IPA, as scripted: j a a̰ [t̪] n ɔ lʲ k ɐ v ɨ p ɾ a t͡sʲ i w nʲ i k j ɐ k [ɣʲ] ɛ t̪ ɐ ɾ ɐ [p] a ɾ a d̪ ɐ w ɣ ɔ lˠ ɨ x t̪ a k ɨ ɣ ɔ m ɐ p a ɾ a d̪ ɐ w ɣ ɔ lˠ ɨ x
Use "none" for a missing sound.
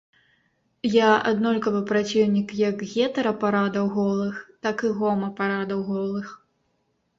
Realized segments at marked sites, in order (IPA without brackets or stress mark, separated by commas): d̪, ɣʲ, p